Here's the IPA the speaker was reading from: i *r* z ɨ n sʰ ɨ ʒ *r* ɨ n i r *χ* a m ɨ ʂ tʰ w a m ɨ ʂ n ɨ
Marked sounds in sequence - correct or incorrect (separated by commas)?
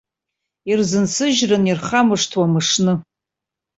correct, correct, correct